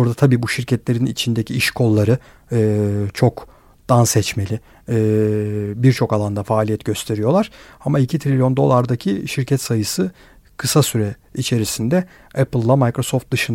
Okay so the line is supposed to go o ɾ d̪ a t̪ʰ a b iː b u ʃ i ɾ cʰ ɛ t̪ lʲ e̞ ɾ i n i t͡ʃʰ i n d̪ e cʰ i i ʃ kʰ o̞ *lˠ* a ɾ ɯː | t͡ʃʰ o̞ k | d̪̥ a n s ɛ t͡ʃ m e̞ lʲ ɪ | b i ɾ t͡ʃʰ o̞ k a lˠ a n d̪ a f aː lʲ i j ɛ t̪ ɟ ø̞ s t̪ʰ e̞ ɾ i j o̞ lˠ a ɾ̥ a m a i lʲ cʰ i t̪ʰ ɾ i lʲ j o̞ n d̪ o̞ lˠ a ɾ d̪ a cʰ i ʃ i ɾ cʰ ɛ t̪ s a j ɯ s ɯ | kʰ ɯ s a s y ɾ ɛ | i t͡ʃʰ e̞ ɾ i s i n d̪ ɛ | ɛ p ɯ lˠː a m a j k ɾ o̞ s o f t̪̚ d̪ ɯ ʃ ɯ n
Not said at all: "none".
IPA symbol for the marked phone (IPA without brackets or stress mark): lˠː